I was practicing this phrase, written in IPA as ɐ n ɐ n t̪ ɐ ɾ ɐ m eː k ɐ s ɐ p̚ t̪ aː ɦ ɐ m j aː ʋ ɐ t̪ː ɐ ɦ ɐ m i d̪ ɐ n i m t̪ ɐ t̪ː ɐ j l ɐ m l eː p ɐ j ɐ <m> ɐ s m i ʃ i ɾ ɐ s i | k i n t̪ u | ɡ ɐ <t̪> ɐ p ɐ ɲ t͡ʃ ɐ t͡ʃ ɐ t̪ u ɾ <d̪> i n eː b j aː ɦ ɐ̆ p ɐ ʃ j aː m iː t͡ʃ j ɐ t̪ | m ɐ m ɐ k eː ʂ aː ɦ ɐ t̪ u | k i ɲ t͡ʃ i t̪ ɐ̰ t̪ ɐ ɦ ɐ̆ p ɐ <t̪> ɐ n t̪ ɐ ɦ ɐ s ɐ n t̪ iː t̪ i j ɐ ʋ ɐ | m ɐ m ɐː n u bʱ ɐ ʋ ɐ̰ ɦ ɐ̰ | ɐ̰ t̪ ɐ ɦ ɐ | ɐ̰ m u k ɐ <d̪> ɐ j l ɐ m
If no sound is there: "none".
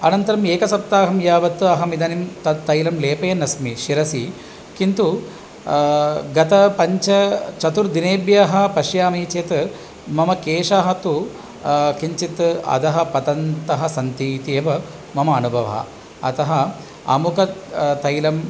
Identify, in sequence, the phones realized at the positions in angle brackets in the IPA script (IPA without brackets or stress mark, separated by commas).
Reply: n, t̪, d̪, t̪, t̪